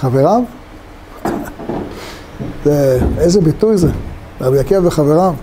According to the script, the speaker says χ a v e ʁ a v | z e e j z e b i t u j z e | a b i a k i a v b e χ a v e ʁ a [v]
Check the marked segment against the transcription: correct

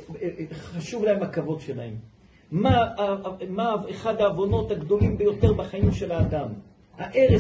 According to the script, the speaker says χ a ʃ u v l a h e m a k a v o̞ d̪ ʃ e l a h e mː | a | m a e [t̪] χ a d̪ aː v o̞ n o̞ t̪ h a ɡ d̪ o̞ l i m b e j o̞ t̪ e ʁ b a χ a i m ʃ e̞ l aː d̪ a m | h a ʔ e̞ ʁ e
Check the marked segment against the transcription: incorrect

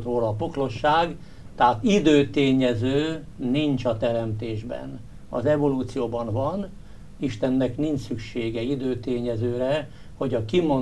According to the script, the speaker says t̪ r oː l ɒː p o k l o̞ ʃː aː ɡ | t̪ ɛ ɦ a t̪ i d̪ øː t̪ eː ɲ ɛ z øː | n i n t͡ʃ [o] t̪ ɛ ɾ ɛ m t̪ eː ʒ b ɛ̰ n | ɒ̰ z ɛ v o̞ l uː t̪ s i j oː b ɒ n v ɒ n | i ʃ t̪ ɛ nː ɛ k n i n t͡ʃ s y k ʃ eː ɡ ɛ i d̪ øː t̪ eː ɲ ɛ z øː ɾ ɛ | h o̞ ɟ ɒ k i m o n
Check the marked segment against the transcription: incorrect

